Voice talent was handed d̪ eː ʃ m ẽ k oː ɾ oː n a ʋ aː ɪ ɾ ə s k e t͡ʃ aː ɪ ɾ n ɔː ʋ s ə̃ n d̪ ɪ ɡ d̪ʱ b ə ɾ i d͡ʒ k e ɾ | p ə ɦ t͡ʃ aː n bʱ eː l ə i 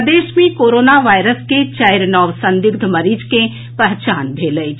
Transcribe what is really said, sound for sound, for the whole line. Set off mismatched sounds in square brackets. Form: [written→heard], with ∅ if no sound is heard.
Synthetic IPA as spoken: d̪ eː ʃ m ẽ k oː ɾ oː n a ʋ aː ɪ ɾ ə s k e t͡ʃ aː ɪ ɾ n ɔː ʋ s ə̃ n d̪ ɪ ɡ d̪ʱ [b→m] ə ɾ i d͡ʒ k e [ɾ→∅] | p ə ɦ t͡ʃ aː n bʱ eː l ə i